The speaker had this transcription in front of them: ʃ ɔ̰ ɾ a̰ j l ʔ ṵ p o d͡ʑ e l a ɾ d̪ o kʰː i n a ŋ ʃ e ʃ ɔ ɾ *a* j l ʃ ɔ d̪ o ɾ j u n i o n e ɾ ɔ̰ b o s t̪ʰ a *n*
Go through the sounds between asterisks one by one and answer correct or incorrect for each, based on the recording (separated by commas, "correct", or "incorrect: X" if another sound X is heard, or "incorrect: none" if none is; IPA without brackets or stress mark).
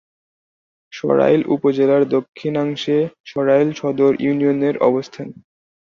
correct, correct